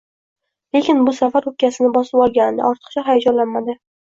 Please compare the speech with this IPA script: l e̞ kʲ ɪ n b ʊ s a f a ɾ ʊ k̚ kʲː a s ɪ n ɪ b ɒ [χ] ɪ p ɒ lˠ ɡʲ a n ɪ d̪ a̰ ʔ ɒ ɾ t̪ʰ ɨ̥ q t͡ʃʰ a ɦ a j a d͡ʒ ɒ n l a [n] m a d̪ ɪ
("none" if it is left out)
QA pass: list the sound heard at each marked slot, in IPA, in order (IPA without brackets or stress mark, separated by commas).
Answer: s, n